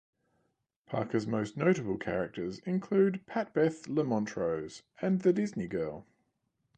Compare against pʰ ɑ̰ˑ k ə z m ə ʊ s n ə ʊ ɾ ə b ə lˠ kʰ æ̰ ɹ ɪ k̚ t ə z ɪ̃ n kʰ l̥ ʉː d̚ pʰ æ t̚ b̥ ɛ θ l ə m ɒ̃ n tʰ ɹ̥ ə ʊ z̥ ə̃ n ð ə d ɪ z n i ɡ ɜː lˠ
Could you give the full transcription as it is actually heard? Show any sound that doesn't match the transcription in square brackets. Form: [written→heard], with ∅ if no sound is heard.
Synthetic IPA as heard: pʰ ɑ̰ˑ k ə z m ə ʊ s n ə ʊ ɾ ə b ə lˠ kʰ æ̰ ɹ ɪ k̚ t ə z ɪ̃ n kʰ l̥ ʉː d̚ pʰ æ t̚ b̥ ɛ θ l ə m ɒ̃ n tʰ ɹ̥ ə ʊ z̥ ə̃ n ð ə d ɪ z n i ɡ ɜː lˠ